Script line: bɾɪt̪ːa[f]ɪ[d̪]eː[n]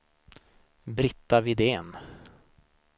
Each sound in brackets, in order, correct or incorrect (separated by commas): incorrect, correct, correct